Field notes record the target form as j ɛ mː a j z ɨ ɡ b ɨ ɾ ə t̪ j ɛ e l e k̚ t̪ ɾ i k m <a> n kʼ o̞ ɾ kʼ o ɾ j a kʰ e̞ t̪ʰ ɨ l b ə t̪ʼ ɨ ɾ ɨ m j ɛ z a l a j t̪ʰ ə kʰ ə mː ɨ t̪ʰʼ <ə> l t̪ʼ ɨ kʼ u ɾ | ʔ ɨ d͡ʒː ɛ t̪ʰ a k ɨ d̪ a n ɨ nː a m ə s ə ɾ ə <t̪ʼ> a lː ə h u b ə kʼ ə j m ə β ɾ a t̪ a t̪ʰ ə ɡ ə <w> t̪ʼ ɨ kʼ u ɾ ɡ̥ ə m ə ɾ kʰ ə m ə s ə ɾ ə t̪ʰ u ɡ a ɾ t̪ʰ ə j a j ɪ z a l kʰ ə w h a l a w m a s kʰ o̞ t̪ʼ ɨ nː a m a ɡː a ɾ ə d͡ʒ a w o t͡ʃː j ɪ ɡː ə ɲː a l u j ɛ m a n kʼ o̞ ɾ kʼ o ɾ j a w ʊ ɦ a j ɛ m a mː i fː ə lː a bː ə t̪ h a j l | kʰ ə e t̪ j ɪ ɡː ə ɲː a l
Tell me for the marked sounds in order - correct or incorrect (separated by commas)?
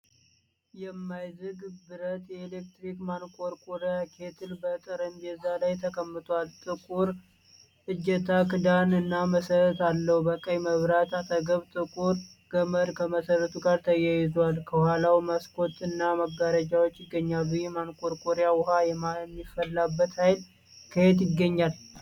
correct, incorrect, incorrect, incorrect